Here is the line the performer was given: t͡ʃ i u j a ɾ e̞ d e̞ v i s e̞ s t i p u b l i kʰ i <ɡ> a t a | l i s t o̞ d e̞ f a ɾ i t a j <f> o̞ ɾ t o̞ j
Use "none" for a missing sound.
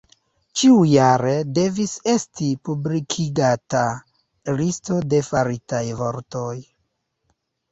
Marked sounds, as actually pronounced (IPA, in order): ɡ, v

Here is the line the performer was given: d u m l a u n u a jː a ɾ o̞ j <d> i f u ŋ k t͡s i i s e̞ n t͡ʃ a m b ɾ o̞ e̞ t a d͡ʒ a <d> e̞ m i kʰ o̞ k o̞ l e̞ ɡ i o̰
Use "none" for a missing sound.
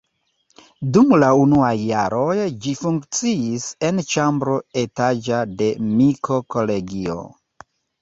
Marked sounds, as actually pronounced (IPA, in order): d͡ʒ, d

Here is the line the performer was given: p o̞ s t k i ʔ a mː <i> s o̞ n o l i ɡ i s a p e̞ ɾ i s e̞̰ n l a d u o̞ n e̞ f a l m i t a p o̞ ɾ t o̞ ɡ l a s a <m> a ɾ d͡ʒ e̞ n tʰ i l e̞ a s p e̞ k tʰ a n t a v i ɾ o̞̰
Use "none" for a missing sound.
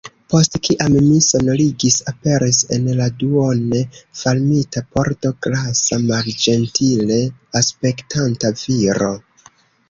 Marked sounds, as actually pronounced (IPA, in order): i, m

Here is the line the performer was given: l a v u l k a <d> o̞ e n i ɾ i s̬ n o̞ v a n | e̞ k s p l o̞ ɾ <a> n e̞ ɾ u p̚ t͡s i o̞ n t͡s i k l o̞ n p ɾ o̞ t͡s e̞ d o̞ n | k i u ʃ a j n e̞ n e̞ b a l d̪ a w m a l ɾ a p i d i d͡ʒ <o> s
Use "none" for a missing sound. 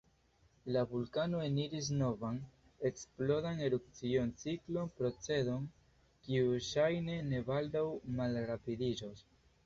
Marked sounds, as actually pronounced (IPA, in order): n, a, o

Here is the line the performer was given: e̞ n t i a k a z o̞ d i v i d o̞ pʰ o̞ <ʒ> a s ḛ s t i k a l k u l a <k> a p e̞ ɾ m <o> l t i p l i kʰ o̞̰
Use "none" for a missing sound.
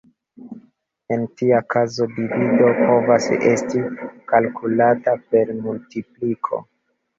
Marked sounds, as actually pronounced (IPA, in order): v, t, u

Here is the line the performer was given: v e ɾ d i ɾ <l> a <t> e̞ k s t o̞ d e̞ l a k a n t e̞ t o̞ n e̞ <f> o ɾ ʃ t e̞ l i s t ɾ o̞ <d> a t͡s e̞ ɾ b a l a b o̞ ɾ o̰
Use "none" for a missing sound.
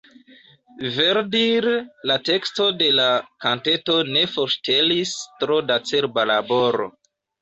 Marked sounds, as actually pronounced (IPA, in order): l, t, f, d

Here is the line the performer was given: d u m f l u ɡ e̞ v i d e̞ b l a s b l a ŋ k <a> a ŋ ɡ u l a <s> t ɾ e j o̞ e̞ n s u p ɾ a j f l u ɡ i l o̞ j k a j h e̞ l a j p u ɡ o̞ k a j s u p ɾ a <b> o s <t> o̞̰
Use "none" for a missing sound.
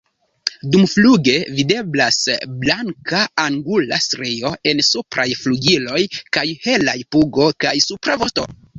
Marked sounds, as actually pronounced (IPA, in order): a, s, v, t

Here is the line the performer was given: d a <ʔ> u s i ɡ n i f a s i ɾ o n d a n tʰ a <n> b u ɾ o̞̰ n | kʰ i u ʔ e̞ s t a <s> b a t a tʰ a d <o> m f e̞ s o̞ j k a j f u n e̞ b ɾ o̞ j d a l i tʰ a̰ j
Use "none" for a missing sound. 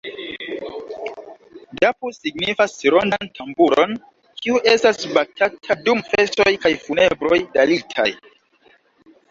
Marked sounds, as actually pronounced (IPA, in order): p, m, s, u

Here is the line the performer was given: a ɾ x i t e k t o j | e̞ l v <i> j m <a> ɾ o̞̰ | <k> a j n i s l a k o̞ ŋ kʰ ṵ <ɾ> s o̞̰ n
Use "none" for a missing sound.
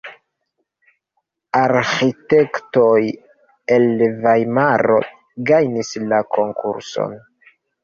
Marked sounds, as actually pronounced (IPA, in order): a, a, ɡ, ɾ

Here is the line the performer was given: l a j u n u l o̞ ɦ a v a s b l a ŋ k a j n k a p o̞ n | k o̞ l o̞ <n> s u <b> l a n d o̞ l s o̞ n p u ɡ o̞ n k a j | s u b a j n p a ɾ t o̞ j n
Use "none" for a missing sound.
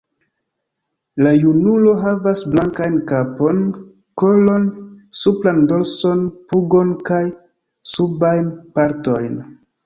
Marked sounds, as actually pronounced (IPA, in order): n, p

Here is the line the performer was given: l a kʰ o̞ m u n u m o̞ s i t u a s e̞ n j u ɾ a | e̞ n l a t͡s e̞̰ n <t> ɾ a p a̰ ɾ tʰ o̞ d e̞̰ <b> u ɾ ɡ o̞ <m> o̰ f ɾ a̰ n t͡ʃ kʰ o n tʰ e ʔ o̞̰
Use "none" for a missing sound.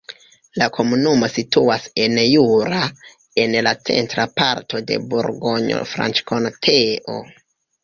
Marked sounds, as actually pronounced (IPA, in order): t, b, ɲ

